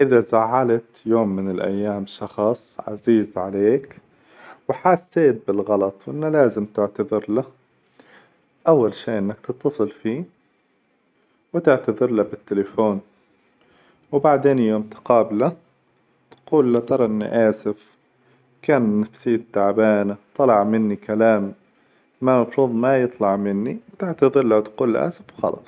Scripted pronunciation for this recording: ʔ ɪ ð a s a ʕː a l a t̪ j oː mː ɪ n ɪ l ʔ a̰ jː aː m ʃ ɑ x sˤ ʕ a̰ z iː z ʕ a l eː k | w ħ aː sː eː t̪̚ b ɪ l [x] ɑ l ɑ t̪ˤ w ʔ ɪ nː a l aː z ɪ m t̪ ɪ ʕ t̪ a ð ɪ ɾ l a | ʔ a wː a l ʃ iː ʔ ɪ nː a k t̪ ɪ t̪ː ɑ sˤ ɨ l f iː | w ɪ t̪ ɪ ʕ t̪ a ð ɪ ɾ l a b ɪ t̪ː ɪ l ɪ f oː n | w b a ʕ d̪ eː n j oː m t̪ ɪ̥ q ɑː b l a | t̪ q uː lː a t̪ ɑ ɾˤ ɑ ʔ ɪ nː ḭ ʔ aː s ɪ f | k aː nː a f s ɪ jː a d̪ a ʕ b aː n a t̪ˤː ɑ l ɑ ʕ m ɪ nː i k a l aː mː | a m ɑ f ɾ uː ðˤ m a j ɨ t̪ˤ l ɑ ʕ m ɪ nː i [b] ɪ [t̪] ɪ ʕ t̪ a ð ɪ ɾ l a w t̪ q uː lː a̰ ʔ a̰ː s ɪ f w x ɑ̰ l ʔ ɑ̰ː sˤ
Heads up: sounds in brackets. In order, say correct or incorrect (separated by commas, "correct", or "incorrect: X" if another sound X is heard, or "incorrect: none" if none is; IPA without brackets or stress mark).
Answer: incorrect: ɣ, incorrect: w, correct